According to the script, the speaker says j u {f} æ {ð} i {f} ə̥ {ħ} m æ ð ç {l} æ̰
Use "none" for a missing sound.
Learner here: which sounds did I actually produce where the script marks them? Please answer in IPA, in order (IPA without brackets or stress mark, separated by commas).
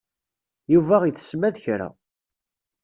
v, ʁ, θ, s, ɾ